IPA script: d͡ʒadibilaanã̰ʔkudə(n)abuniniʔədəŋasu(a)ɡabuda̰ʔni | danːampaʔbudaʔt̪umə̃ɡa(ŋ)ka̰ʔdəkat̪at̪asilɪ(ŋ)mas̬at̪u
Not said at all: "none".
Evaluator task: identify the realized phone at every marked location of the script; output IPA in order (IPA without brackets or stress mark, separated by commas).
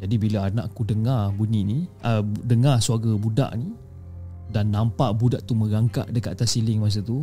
ŋ, a, ŋ, ŋ